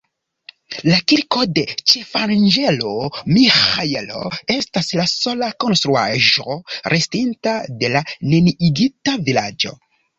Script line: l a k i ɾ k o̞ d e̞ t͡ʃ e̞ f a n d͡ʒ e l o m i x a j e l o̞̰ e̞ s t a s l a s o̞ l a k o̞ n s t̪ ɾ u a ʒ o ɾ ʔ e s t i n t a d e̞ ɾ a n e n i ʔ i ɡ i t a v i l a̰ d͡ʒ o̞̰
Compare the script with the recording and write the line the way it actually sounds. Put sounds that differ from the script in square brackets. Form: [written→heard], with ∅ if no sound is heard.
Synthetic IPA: l a k i ɾ k o̞ d e̞ t͡ʃ e̞ f a n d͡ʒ e l o m i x a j e l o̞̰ e̞ s t a s l a s o̞ l a k o̞ n s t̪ ɾ u a ʒ o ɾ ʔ e s t i n t a d e̞ [ɾ→l] a n e n i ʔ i ɡ i t a v i l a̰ d͡ʒ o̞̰